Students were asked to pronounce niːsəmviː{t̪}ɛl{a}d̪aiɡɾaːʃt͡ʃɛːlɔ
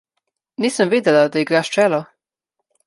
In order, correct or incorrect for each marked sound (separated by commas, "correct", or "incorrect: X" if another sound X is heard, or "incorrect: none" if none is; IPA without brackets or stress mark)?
incorrect: d̪, correct